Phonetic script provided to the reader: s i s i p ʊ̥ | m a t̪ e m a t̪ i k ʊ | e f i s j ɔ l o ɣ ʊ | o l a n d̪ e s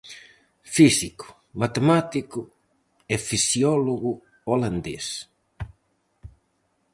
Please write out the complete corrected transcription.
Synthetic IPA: f i s i k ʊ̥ | m a t̪ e m a t̪ i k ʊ | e f i s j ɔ l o ɣ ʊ | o l a n d̪ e s